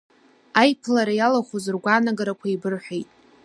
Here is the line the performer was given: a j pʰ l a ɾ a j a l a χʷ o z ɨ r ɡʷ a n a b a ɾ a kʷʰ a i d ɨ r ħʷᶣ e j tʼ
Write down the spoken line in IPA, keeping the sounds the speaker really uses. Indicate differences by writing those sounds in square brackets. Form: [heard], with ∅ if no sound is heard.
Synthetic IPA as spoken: a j pʰ l a ɾ a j a l a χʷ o z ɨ r ɡʷ a n a [ɡ] a ɾ a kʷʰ a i [b] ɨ r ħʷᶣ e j tʼ